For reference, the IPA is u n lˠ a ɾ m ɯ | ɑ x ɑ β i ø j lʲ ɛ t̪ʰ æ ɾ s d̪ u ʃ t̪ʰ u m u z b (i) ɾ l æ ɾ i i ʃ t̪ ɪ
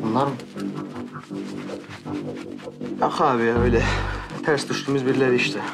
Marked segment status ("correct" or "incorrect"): correct